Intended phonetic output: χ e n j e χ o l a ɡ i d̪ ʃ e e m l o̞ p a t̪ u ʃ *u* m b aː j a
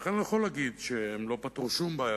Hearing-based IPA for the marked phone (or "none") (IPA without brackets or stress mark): u